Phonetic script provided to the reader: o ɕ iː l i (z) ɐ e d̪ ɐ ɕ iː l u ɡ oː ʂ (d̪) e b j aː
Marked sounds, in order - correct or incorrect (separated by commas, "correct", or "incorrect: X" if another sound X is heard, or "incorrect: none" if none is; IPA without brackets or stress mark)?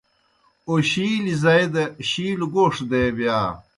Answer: correct, correct